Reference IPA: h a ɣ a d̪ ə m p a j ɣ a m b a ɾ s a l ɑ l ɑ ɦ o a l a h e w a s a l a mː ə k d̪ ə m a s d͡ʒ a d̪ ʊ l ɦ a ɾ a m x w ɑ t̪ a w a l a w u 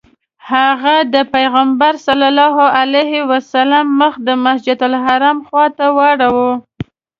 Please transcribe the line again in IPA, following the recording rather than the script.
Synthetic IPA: h a ɣ a d̪ ə p a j ɣ a m b a ɾ s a l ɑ l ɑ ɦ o a l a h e w a s a l a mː ə x d̪ ə m a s d͡ʒ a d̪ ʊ l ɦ a ɾ a m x w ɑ t̪ a w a ɽ a w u